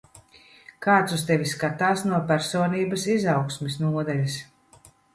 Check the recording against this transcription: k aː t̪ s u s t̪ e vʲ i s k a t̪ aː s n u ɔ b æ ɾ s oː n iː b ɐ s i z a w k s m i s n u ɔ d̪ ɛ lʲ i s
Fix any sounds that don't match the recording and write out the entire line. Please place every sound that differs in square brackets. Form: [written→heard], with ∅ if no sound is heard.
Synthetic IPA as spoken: k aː t̪ s u s t̪ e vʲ i s k a t̪ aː s n u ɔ [b→p] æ ɾ s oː n iː b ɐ s i z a w k s m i s n u ɔ d̪ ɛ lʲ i s